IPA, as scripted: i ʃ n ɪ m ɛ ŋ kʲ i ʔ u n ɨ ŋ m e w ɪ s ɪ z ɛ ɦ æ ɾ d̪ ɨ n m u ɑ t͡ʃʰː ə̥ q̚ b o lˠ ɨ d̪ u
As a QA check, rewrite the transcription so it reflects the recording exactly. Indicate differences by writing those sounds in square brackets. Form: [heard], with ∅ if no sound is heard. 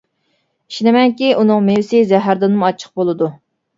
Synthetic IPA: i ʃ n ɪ m ɛ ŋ kʲ i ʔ u n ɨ ŋ m e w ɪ s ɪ z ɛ ɦ æ ɾ d̪ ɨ n m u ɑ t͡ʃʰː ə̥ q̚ b o lˠ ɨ d̪ u